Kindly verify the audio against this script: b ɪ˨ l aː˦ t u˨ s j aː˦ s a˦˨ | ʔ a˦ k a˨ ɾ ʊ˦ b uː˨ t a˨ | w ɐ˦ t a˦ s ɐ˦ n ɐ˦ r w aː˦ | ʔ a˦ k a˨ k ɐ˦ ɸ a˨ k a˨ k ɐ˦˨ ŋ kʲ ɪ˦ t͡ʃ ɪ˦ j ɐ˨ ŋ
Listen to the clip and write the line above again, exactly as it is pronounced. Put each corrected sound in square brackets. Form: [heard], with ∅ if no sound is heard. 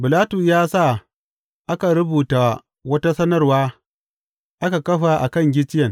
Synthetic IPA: b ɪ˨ l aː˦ t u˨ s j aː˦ s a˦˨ | ʔ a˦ k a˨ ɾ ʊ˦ b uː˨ t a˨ | w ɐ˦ t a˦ s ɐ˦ n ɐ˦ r w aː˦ | ʔ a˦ k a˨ k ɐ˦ ɸ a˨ [ʔ] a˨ k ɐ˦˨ ŋ [ɡʲ] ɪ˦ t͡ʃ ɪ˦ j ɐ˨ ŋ